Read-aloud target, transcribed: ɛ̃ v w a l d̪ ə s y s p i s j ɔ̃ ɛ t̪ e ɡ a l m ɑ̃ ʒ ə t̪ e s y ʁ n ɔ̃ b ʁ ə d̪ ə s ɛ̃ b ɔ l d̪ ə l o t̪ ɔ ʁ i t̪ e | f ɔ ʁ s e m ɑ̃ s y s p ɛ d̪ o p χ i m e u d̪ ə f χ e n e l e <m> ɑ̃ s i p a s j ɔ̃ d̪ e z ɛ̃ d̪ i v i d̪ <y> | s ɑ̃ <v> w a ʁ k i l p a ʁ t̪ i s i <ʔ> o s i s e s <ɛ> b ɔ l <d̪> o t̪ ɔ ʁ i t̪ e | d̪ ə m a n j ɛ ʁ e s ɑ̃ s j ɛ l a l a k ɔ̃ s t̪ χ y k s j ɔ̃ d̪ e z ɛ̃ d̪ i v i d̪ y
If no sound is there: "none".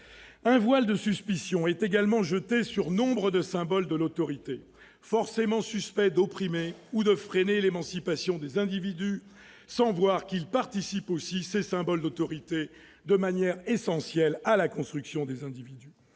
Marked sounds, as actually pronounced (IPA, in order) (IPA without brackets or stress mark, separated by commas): m, y, v, p, ɛ̃, d̪